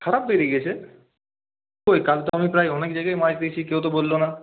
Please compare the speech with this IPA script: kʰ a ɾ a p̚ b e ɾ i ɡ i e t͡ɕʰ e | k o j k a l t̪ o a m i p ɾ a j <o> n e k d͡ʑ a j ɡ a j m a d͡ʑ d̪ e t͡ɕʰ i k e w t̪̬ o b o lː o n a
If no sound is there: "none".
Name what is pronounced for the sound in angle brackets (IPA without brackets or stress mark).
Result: ɔ